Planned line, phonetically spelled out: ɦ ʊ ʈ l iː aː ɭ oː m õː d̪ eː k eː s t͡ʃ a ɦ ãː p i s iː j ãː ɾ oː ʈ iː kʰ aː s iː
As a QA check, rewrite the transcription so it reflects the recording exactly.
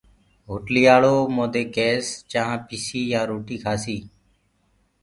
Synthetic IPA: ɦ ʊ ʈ l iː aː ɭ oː m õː d̪ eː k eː s t͡ʃ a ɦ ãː p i s iː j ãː ɾ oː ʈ iː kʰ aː s iː